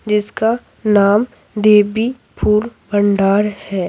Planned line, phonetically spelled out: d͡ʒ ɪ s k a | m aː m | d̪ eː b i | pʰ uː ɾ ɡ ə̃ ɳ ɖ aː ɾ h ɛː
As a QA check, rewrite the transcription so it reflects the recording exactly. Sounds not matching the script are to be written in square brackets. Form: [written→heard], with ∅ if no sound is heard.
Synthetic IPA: d͡ʒ ɪ s k a | [m→n] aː m | d̪ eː b i | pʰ uː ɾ [ɡ→b] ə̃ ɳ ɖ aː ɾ h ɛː

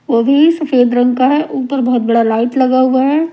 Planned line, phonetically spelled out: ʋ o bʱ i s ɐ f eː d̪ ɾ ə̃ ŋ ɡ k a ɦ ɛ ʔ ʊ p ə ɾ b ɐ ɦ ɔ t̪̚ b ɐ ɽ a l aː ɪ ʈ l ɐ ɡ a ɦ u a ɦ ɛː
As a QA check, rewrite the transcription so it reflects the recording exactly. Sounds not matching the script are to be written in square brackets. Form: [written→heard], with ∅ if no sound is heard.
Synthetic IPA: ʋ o bʱ i s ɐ f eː d̪ ɾ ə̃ ŋ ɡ k a ɦ ɛ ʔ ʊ p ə ɾ b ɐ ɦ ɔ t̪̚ b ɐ ɽ a l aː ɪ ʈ l ɐ ɡ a ɦ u a ɦ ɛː

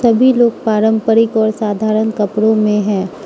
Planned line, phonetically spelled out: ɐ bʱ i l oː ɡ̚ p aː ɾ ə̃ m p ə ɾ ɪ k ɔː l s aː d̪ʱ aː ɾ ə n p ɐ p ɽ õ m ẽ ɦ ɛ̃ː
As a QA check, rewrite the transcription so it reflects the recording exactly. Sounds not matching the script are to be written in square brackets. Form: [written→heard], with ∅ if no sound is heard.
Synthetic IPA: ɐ bʱ i l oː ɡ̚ p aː ɾ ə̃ m p ə ɾ ɪ k ɔː [l→ɾ] s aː d̪ʱ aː ɾ ə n [p→k] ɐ p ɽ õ m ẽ ɦ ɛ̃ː

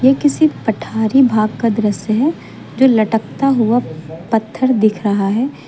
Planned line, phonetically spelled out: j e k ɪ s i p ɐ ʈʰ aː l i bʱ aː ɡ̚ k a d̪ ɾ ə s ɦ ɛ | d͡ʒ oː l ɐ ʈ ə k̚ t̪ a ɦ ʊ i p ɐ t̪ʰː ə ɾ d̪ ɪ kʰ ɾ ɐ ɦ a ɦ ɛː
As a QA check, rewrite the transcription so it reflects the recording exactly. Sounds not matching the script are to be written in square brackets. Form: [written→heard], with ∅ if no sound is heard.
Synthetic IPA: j e k ɪ s i p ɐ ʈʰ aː [l→ɾ] i bʱ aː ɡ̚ k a d̪ ɾ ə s ɦ ɛ | d͡ʒ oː l ɐ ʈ ə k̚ t̪ a ɦ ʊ [i→a] p ɐ t̪ʰː ə ɾ d̪ ɪ kʰ ɾ ɐ ɦ a ɦ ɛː

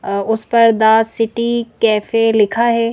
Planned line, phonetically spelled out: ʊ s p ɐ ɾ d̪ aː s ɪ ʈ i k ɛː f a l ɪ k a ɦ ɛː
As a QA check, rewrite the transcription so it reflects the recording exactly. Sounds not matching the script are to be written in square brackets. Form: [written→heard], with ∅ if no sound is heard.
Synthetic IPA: ʊ s p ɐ ɾ d̪ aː s ɪ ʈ i k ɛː f [a→e] l ɪ [k→kʰ] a ɦ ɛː

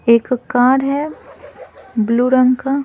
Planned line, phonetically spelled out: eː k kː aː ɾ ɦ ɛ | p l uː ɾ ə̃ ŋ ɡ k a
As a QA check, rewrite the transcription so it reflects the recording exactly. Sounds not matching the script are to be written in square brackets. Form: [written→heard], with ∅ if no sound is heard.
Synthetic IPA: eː k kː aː ɾ ɦ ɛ | [p→b] l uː ɾ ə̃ ŋ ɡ k a

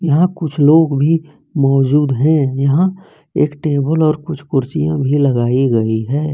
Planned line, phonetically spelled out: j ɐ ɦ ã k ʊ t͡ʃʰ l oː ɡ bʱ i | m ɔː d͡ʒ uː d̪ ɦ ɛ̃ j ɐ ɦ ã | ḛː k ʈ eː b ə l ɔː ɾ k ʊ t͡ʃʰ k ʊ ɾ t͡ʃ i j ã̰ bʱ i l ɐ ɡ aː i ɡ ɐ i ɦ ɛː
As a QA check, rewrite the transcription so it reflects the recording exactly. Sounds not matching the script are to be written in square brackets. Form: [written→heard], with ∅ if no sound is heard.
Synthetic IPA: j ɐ ɦ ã k ʊ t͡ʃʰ l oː ɡ bʱ i | m ɔː d͡ʒ uː d̪ ɦ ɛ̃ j ɐ ɦ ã | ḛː k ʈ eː b ə l ɔː ɾ k ʊ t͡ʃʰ k ʊ ɾ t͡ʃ i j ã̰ bʱ i l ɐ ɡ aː i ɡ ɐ i ɦ ɛː

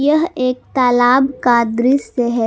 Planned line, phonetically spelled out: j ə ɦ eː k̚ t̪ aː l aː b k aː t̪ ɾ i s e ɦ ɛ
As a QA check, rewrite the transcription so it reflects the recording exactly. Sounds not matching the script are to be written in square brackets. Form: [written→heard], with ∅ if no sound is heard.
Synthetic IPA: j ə ɦ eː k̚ t̪ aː l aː b k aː [t̪→d̪] ɾ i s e ɦ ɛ

